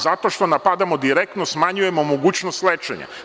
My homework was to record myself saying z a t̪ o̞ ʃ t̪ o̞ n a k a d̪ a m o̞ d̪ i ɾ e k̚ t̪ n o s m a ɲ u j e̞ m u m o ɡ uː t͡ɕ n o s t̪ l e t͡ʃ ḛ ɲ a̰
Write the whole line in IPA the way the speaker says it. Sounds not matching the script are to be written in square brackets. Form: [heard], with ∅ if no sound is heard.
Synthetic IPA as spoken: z a t̪ o̞ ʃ t̪ o̞ n a [p] a d̪ a m o̞ d̪ i ɾ e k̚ t̪ n o s m a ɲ u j e̞ m [o] m o ɡ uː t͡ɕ n o s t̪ l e t͡ʃ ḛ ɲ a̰